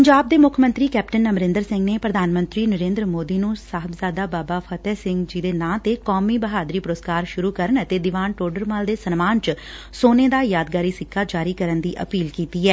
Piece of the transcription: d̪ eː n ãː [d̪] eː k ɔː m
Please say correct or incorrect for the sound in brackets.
incorrect